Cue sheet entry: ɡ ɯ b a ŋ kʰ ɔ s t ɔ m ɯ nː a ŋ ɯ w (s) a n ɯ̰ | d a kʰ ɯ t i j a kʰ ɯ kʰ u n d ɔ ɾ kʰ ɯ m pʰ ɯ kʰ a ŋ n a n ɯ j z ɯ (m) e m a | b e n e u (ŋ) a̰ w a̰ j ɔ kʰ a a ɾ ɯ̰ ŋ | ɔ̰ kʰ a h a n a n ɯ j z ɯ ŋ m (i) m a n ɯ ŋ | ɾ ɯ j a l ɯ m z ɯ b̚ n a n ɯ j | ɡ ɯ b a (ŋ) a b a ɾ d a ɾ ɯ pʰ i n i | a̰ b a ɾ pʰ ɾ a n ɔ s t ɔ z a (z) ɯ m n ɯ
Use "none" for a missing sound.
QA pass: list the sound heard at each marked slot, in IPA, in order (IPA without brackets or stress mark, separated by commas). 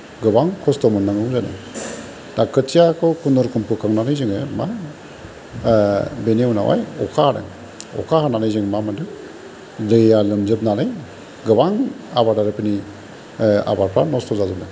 z, ŋ, n, a, ŋ, z